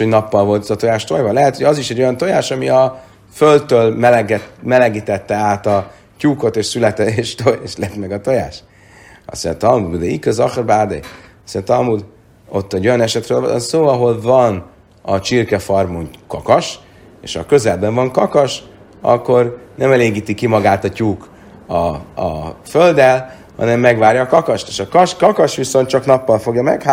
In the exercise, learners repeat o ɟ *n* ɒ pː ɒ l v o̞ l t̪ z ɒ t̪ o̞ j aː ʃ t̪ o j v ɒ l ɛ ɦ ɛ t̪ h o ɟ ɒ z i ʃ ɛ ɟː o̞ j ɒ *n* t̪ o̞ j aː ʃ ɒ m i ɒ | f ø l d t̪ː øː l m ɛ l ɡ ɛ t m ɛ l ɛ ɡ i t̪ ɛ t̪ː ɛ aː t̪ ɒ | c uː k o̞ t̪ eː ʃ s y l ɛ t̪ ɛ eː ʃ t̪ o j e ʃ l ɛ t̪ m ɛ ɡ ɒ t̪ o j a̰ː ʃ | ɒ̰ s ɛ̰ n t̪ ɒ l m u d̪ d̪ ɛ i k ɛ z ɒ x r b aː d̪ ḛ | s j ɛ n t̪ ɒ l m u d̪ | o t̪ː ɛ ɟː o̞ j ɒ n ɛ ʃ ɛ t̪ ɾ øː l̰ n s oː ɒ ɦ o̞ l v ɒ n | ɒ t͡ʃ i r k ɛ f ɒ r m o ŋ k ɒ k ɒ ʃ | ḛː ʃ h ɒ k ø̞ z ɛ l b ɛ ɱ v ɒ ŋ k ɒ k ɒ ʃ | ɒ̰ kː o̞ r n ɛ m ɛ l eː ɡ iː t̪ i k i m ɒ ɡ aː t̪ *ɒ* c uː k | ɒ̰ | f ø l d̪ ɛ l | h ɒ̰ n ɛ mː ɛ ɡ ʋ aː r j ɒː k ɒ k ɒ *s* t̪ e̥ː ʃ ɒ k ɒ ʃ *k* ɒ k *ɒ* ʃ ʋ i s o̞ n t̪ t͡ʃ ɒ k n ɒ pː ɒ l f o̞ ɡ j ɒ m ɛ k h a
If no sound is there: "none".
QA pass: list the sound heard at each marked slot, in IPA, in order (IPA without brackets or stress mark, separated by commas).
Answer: n, n, ɒ, ʃ, k, ɒ